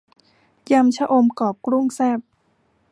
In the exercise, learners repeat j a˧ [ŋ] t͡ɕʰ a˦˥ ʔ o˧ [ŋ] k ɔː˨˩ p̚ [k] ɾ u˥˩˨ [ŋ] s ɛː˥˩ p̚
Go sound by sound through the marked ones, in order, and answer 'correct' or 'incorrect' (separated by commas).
incorrect, incorrect, correct, correct